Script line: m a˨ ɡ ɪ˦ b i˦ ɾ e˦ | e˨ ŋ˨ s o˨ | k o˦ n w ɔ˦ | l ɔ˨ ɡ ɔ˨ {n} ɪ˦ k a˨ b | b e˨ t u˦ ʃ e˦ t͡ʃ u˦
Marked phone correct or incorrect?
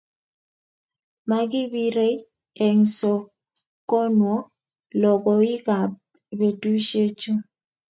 incorrect